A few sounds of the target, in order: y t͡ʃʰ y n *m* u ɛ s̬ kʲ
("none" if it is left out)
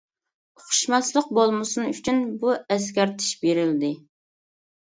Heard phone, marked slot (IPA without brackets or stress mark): b